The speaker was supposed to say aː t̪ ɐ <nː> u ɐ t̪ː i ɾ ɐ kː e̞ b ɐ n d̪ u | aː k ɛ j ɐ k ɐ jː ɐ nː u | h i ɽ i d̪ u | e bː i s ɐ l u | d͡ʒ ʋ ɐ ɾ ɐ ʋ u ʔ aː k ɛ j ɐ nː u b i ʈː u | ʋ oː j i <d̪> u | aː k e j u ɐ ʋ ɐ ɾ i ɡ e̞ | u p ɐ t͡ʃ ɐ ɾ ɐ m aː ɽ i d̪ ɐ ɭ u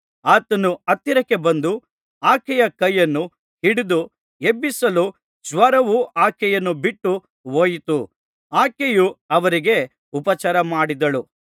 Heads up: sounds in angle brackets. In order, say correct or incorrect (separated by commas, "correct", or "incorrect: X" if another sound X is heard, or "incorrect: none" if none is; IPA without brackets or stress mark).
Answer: incorrect: n, incorrect: t̪